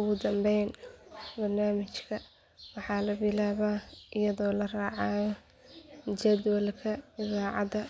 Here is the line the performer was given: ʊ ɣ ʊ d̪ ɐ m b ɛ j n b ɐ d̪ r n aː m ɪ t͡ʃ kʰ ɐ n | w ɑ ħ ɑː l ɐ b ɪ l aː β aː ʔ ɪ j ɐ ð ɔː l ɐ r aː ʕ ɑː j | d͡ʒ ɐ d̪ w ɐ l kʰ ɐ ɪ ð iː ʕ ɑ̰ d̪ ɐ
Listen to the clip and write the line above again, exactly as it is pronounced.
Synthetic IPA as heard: ʊ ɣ ʊ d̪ ɐ m b ɛ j n b ɐ r n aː m ɪ t͡ʃ kʰ ɐ | w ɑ ħ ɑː l ɐ b ɪ l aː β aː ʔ ɪ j ɐ ð ɔː l ɐ r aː ʕ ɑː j | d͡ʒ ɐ d̪ w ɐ l kʰ ɐ ɪ ð aː ʕ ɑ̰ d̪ ɐ